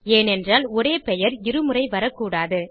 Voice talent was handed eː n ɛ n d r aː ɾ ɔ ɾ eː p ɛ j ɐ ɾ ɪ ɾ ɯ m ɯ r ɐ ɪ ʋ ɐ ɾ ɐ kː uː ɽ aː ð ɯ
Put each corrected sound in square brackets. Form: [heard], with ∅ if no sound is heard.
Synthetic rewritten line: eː n ɛ n d r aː [l] ɔ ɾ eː p ɛ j ɐ ɾ ɪ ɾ ɯ m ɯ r ɐ ɪ ʋ ɐ ɾ ɐ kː uː ɽ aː ð ɯ